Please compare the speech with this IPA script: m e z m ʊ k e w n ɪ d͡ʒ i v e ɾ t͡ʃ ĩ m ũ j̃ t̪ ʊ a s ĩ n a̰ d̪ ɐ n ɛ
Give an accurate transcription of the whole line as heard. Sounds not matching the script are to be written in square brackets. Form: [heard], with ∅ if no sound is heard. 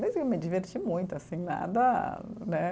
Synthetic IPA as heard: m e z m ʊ k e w [m] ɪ d͡ʒ i v e ɾ t͡ʃ [i] m ũ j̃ t̪ ʊ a s ĩ n a̰ d̪ ɐ n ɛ